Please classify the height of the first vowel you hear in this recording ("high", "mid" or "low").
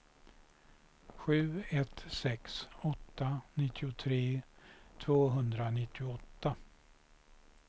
high